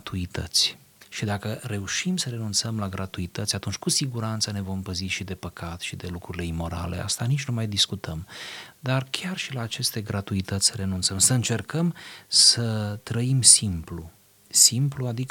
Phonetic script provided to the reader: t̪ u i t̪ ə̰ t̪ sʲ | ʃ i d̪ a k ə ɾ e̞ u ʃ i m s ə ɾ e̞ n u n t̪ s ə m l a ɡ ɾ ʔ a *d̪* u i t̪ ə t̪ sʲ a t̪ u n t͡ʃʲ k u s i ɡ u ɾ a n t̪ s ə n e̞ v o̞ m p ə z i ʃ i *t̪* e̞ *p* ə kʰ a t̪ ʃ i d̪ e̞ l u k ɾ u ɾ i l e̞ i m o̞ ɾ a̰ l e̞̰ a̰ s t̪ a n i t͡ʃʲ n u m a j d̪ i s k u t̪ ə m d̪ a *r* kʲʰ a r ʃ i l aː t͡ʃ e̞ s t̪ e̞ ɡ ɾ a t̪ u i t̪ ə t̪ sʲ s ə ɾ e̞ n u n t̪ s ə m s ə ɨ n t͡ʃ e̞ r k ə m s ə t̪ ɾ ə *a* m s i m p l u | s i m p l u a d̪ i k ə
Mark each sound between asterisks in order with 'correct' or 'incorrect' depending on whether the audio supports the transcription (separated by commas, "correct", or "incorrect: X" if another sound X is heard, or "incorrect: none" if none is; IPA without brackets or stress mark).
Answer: incorrect: t̪, incorrect: d̪, correct, correct, incorrect: i